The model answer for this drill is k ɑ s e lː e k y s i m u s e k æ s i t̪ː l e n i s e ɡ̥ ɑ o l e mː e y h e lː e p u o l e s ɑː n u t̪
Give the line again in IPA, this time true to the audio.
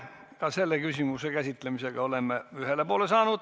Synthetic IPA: k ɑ s e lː e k y s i m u s e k æ s i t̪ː l e m i s e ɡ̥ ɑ o l e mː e y h e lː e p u o l e s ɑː n u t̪